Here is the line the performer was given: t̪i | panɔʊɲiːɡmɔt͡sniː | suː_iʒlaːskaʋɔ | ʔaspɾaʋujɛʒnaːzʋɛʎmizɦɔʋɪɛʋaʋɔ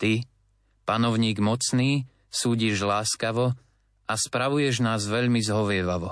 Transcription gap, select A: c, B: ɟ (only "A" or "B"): B